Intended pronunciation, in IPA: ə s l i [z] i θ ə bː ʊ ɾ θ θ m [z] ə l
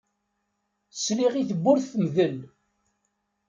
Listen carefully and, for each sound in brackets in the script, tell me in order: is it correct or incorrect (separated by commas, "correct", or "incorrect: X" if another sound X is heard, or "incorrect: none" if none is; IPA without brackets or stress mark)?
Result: incorrect: ʁ, incorrect: ð